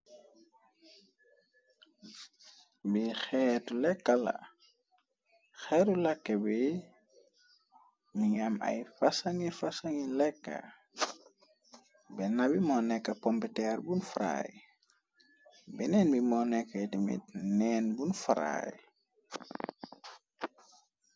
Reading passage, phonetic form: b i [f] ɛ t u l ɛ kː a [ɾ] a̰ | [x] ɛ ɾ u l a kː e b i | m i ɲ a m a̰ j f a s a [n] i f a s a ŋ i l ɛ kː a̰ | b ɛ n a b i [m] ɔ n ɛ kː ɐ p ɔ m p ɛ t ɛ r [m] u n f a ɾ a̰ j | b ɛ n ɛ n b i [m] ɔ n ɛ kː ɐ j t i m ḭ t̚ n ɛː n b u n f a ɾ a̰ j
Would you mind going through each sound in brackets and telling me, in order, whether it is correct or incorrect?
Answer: incorrect: x, incorrect: l, correct, incorrect: ŋ, correct, incorrect: b, correct

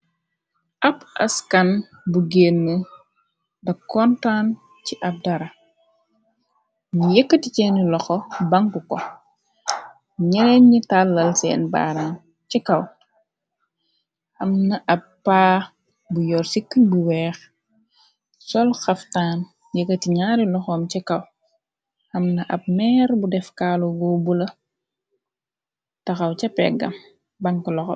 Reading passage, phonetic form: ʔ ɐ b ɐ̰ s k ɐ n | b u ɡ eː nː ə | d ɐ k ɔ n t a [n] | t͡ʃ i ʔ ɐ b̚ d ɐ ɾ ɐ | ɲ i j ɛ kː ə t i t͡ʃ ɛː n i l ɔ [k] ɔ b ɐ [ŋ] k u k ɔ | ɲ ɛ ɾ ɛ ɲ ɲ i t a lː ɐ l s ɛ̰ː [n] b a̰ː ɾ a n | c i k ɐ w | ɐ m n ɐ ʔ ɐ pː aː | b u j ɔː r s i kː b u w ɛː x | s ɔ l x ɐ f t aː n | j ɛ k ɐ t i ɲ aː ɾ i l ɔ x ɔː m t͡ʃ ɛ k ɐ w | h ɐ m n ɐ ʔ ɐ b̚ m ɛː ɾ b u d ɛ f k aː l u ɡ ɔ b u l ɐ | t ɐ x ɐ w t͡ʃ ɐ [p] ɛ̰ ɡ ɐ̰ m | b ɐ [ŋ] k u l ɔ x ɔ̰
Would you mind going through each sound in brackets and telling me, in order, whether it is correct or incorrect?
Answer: correct, incorrect: x, correct, correct, correct, correct

